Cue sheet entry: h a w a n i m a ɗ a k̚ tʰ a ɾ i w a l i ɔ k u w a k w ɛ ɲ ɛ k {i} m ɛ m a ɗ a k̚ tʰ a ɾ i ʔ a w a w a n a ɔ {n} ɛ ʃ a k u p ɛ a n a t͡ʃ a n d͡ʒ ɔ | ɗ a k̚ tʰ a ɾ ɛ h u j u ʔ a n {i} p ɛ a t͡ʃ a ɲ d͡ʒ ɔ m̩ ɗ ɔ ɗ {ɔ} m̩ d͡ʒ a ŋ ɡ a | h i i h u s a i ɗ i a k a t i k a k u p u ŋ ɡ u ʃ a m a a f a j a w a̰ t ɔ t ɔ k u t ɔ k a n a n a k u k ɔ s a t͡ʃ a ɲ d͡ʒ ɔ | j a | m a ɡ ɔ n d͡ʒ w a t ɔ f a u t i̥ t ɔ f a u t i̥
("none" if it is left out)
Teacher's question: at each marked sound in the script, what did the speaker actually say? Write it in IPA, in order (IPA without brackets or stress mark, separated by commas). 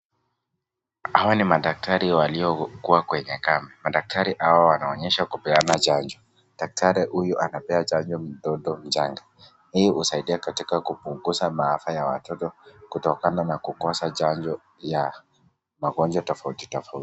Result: a, ɲ, a, ɔ